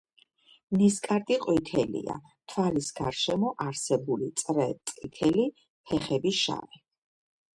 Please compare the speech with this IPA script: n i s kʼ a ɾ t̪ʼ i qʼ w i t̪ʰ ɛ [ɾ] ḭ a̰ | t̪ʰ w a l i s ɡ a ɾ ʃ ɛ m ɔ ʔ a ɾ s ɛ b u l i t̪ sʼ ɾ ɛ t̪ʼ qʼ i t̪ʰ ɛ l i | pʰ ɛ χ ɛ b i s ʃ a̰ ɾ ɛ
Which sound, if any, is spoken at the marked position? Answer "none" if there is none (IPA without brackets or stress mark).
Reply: l